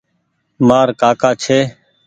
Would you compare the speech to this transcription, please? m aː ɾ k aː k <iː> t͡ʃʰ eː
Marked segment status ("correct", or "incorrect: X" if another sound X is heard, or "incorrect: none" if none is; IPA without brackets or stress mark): incorrect: aː